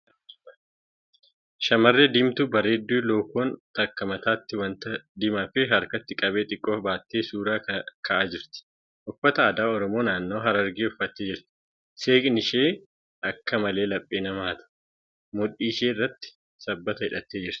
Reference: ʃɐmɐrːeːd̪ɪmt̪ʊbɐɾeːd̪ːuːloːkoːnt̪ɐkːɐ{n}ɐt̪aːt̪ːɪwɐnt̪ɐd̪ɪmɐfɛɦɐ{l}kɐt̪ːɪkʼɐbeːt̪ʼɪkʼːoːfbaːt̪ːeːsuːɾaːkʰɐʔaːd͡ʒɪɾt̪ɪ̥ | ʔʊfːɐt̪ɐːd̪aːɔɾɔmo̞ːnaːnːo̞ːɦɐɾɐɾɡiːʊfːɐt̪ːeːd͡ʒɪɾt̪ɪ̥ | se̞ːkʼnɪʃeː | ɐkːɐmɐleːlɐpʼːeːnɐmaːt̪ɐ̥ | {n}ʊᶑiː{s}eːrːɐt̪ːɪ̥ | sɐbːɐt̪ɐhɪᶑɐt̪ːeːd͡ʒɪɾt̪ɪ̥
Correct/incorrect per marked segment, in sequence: incorrect: m, incorrect: ɾ, incorrect: m, incorrect: ʃ

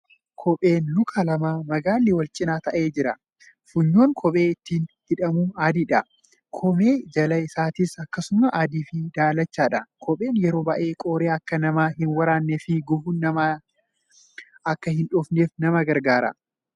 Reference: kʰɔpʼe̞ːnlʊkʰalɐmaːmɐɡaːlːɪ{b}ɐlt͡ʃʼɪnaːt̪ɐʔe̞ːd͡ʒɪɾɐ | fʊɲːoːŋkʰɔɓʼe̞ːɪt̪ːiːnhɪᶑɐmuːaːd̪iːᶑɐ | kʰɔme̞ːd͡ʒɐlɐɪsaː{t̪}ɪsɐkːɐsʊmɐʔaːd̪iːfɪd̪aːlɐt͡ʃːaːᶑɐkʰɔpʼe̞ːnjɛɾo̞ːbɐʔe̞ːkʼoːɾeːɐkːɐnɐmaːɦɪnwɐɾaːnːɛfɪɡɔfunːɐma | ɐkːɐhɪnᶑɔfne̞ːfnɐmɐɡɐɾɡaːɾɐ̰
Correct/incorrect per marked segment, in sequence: incorrect: w, correct

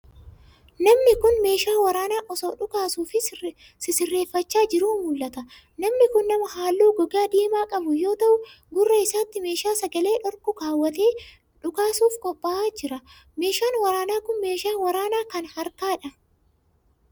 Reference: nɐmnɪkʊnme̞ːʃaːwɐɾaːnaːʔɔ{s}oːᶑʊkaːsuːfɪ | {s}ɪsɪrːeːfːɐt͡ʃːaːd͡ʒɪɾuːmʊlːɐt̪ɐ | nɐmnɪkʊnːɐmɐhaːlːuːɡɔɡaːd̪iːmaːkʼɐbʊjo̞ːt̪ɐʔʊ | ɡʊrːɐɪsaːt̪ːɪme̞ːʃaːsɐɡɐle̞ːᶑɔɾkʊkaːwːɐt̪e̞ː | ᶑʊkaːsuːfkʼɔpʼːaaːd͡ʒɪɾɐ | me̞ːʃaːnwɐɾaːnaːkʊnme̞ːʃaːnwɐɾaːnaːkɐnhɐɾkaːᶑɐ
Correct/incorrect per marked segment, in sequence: correct, correct

